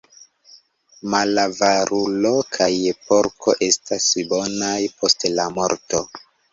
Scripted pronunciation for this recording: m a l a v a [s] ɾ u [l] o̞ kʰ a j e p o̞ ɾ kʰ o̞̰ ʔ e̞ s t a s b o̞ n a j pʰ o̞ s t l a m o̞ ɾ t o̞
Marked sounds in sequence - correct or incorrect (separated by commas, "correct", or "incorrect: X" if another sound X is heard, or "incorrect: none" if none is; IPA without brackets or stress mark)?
incorrect: none, correct